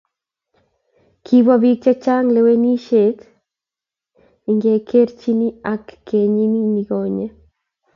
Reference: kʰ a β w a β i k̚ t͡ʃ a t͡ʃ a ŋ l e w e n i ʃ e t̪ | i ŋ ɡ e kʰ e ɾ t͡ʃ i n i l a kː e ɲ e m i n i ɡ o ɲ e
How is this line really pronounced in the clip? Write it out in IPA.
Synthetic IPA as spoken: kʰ i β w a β i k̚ t͡ʃ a t͡ʃ a ŋ l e w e n i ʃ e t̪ | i ŋ ɡ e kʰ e ɾ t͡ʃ i n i a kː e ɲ i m i n i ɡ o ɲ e